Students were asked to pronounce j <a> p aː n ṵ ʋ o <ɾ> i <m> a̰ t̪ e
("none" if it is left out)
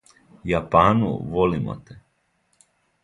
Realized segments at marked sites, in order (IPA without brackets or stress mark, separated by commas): a, l, m